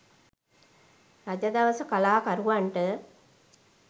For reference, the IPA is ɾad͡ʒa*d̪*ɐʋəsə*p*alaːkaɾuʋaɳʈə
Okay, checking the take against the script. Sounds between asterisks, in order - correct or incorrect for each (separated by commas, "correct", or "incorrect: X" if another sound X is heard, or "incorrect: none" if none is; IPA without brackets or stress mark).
correct, incorrect: k